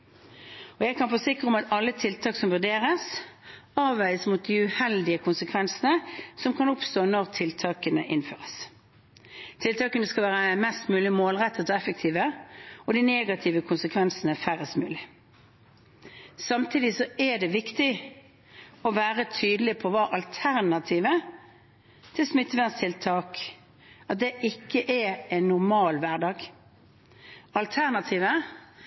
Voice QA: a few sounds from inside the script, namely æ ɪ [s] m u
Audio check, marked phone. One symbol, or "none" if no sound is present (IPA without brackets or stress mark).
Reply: s